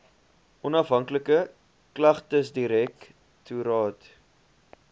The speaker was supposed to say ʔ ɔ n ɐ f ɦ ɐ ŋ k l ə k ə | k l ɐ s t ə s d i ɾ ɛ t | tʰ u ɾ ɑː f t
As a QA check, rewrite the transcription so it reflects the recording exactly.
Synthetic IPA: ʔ ɔ n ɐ f ɦ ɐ ŋ k l ə k ə | k l ɐ χ t ə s d i ɾ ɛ k | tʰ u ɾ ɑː t